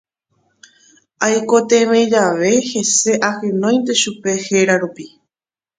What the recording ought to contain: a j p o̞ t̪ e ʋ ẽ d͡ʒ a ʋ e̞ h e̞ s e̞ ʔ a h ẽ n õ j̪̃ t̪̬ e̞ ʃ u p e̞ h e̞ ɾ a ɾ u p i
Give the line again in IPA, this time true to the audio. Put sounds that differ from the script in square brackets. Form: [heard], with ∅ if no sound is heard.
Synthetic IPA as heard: a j [k] o̞ t̪ e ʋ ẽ d͡ʒ a ʋ e̞ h e̞ s e̞ ʔ a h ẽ n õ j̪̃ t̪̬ e̞ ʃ u p e̞ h e̞ ɾ a ɾ u p i